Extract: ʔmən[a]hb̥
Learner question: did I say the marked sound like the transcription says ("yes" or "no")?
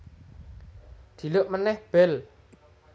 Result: no